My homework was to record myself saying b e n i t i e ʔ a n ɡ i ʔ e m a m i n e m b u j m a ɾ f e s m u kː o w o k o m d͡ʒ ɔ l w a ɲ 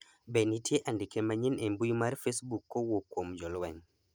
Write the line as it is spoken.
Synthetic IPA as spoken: b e n i t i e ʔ a n d i k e m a ɲ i n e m b u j m a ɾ f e s b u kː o w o k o m d͡ʒ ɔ l w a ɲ